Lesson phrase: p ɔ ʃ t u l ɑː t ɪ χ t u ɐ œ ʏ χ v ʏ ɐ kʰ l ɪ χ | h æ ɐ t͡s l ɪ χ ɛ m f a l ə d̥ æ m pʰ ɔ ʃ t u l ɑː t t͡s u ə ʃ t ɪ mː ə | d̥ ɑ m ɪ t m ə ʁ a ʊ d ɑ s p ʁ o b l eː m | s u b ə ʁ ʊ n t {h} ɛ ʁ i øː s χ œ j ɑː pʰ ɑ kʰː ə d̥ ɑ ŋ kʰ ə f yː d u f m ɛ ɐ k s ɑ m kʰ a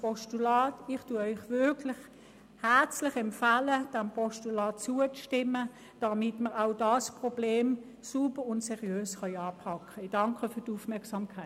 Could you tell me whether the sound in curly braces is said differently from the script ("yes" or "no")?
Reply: yes